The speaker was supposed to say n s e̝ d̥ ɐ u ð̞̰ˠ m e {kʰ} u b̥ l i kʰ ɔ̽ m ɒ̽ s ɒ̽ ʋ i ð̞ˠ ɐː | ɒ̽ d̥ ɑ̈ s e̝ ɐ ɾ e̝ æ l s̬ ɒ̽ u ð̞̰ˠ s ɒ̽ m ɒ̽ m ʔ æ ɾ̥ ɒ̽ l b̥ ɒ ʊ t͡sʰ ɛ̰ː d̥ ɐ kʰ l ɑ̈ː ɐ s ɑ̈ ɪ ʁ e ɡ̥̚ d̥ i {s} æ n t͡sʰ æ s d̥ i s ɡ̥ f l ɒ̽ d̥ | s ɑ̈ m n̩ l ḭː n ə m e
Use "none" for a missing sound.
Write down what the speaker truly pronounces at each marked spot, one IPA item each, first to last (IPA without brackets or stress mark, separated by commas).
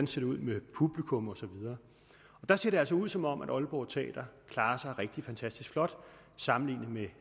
pʰ, f